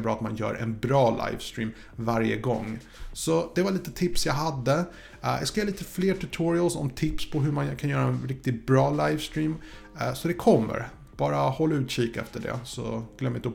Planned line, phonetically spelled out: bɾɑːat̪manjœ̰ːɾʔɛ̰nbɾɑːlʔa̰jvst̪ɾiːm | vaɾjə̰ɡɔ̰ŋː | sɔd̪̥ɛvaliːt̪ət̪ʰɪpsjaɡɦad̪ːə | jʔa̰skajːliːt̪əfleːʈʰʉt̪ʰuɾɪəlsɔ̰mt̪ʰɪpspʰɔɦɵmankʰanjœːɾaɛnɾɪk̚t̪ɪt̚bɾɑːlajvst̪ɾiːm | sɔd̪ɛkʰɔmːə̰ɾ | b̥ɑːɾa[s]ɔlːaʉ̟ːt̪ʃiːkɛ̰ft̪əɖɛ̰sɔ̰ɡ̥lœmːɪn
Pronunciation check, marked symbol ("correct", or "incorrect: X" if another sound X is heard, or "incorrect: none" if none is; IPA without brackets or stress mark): incorrect: h